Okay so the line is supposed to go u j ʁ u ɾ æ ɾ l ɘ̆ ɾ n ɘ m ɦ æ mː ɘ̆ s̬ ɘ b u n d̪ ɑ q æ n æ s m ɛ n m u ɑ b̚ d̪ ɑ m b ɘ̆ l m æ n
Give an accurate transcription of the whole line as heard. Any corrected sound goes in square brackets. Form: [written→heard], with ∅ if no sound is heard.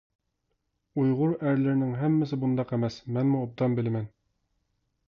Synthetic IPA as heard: u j ʁ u ɾ æ ɾ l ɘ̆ ɾ n ɘ [m→ŋ] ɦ æ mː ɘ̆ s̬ ɘ b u n d̪ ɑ q æ [n→m] æ s m [ɛ→æ] n m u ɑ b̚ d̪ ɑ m b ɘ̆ l m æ n